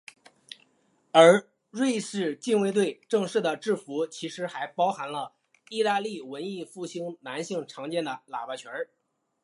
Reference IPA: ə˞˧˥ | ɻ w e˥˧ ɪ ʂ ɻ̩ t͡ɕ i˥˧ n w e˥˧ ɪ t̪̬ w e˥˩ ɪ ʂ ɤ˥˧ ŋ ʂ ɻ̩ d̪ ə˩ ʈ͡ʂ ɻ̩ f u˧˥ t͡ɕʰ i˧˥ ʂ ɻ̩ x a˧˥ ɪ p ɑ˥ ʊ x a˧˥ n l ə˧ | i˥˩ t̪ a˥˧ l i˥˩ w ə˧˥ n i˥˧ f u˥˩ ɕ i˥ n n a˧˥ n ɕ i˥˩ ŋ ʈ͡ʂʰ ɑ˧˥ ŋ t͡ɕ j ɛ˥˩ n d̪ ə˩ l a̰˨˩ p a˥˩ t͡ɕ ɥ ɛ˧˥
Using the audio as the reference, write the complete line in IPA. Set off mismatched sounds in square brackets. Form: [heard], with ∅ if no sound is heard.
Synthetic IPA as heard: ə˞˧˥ | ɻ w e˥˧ ɪ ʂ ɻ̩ t͡ɕ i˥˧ n w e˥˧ ɪ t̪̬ w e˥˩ ɪ [ʈ͡ʂ] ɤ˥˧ ŋ ʂ ɻ̩ d̪ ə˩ ʈ͡ʂ ɻ̩ f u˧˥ t͡ɕʰ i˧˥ ʂ ɻ̩ x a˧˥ ɪ p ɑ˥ ʊ x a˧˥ n l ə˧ | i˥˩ t̪ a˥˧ l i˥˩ w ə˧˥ n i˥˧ f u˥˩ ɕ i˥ [ŋ] n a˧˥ n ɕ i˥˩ ŋ ʈ͡ʂʰ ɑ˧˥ ŋ t͡ɕ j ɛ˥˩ n d̪ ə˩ l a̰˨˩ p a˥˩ [t͡ɕʰ] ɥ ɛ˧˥

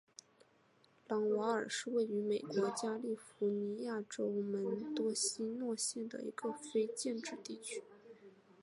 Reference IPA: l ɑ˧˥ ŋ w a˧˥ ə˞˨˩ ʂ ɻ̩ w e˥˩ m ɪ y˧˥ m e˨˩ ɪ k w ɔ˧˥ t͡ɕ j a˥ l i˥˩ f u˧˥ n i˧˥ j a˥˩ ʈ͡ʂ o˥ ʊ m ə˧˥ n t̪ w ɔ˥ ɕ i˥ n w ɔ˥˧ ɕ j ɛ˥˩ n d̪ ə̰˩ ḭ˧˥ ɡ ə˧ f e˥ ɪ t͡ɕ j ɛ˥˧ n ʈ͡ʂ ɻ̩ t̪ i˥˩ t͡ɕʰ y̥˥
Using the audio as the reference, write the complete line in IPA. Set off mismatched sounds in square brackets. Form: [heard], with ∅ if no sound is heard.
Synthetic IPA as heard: l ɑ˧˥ ŋ w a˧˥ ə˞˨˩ ʂ ɻ̩ w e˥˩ [∅] ɪ y˧˥ m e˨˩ ɪ k w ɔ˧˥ t͡ɕ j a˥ l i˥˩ f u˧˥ n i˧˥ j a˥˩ ʈ͡ʂ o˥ ʊ m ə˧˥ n t̪ w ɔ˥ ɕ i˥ n w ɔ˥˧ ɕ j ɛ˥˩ n d̪ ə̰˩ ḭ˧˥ ɡ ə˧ f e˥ ɪ t͡ɕ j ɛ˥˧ n ʈ͡ʂ ɻ̩ t̪ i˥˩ t͡ɕʰ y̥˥

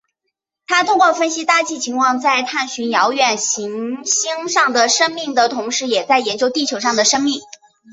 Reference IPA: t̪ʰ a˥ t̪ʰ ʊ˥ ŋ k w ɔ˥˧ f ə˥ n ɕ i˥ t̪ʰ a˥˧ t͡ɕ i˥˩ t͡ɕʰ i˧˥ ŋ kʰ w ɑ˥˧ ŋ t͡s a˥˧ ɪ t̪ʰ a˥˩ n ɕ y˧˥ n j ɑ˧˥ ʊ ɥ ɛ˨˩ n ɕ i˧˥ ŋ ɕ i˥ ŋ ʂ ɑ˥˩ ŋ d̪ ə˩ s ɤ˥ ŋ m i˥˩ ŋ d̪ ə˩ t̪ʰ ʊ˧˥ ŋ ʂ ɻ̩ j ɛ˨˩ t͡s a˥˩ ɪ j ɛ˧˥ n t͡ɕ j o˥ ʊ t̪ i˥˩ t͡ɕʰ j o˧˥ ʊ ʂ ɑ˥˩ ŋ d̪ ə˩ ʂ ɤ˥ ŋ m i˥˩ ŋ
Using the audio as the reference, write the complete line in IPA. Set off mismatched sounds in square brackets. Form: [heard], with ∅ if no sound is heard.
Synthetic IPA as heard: t̪ʰ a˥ t̪ʰ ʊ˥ ŋ k w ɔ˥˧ f ə˥ n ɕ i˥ [t̪] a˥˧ t͡ɕ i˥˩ t͡ɕʰ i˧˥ ŋ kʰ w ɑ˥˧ ŋ t͡s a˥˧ ɪ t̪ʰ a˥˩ n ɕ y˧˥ n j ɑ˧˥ ʊ ɥ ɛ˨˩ n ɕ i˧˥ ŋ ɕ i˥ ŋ ʂ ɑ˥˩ ŋ d̪ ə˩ [ʂ] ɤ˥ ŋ m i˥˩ ŋ d̪ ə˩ t̪ʰ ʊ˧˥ ŋ ʂ ɻ̩ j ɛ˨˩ t͡s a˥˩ ɪ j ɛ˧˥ n t͡ɕ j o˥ ʊ t̪ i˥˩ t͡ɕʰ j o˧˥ ʊ ʂ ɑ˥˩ ŋ d̪ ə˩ ʂ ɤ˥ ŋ m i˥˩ ŋ

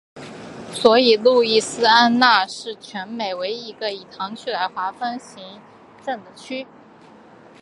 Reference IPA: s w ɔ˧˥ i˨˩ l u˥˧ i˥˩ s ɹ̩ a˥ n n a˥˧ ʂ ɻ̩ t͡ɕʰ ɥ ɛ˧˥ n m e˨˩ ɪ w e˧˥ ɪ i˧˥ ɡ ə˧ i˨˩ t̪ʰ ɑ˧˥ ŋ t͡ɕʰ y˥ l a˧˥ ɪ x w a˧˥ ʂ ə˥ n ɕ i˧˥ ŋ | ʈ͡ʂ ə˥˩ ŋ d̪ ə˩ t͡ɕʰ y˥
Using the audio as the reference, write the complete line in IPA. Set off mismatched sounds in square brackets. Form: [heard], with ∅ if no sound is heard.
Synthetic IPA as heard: s w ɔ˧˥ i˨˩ l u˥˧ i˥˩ s ɹ̩ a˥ n n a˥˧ ʂ ɻ̩ t͡ɕʰ ɥ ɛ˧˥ n m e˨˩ ɪ w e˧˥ ɪ i˧˥ ɡ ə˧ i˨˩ t̪ʰ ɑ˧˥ ŋ t͡ɕʰ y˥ l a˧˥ ɪ x w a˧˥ [f] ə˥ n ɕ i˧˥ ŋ | ʈ͡ʂ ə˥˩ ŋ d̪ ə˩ t͡ɕʰ y˥

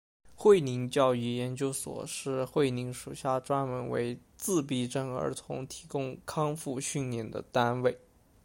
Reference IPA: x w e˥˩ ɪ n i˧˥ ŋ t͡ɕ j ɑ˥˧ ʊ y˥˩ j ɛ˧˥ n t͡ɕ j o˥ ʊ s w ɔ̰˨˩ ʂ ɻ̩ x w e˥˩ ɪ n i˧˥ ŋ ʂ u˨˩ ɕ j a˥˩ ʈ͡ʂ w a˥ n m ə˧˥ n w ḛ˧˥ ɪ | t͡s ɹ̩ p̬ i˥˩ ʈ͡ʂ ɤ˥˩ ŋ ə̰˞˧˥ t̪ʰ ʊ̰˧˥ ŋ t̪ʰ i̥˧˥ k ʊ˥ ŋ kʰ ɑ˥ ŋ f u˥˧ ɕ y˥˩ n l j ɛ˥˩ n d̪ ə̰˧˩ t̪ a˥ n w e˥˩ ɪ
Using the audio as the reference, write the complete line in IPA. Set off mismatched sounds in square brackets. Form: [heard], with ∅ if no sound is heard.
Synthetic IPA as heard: x w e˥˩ ɪ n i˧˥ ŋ t͡ɕ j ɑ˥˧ ʊ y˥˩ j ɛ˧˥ n t͡ɕ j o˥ ʊ s w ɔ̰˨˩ ʂ ɻ̩ x w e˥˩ ɪ n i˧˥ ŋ ʂ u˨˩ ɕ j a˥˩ ʈ͡ʂ w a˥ n m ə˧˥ n w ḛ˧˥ ɪ | t͡s ɹ̩ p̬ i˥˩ ʈ͡ʂ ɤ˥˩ ŋ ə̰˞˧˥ t̪ʰ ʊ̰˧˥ ŋ t̪ʰ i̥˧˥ k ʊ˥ ŋ kʰ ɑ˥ ŋ f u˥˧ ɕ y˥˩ n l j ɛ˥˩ n d̪ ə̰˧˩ t̪ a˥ n w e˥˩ ɪ

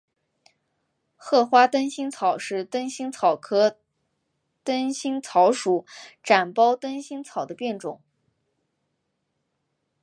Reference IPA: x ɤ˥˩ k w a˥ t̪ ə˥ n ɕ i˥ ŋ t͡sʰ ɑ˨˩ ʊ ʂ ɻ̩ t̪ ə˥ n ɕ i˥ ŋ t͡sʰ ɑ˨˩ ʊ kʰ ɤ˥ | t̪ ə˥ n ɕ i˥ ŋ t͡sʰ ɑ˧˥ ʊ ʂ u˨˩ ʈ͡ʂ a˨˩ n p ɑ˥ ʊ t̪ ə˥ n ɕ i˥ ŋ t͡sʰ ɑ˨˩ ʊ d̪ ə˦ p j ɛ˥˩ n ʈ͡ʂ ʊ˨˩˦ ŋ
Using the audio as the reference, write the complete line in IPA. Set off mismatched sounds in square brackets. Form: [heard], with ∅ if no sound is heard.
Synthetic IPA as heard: x ɤ˥˩ [x] w a˥ t̪ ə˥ n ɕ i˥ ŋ t͡sʰ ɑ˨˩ ʊ ʂ ɻ̩ t̪ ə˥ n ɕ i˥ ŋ t͡sʰ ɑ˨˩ ʊ kʰ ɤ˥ | t̪ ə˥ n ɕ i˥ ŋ t͡sʰ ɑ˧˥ ʊ ʂ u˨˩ ʈ͡ʂ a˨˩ n p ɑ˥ ʊ t̪ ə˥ n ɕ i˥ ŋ t͡sʰ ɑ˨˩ ʊ d̪ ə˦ p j ɛ˥˩ n ʈ͡ʂ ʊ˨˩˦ ŋ

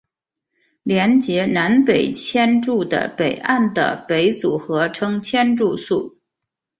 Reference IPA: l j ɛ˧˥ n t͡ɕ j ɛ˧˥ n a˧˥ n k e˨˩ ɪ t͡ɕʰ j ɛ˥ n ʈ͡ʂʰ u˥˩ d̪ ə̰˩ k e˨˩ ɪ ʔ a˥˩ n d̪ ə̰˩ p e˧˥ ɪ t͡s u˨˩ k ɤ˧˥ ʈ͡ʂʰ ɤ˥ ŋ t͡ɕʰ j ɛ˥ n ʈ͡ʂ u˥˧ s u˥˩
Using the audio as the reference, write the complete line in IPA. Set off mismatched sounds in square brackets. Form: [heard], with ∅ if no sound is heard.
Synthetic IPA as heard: l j ɛ˧˥ n t͡ɕ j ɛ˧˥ n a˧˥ n [p] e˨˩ ɪ t͡ɕʰ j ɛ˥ n [ʈ͡ʂ] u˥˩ d̪ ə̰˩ [p] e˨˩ ɪ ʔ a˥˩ n d̪ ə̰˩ p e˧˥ ɪ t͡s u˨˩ [x] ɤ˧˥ ʈ͡ʂʰ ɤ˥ ŋ t͡ɕʰ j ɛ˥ n ʈ͡ʂ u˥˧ s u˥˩

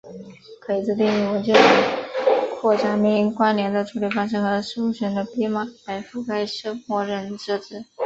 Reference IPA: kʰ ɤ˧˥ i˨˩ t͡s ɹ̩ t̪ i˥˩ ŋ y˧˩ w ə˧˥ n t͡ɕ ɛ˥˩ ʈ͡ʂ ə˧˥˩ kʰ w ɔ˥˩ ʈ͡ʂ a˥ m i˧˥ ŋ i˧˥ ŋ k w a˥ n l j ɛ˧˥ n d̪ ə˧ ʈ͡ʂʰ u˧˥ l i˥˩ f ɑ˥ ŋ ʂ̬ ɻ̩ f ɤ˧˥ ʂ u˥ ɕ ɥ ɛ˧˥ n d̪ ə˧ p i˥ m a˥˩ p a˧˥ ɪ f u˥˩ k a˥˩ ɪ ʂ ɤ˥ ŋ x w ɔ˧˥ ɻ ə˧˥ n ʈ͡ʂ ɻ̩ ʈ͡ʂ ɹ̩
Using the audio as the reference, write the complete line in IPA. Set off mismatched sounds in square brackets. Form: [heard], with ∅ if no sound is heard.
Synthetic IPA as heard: kʰ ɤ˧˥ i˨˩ t͡s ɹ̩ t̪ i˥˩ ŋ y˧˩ w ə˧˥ n t͡ɕ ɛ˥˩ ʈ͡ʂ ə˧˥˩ kʰ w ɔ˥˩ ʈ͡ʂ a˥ m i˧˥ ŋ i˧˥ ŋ k w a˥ n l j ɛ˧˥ n d̪ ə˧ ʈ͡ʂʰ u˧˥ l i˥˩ f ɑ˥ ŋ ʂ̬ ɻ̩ [x] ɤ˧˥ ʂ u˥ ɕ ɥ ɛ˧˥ n d̪ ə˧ p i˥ m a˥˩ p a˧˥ ɪ f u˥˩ k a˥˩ ɪ ʂ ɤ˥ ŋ x w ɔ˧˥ ɻ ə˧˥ n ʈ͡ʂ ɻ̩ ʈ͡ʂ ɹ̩

